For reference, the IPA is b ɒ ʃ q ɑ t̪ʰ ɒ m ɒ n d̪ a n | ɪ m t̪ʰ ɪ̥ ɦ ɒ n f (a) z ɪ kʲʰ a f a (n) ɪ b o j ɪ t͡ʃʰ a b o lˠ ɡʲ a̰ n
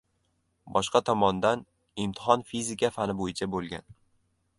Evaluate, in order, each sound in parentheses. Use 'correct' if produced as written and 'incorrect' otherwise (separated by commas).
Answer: incorrect, correct